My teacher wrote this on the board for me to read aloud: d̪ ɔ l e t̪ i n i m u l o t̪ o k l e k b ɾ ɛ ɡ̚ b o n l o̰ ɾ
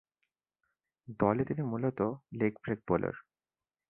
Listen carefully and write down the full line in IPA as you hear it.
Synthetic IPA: d̪ ɔ l e t̪ i n i m u l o t̪ o l e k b ɾ e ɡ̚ b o l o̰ ɾ